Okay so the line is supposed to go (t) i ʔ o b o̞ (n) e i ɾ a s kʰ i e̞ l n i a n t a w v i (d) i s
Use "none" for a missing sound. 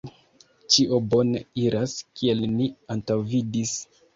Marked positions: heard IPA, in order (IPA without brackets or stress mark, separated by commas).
t͡ʃ, n, d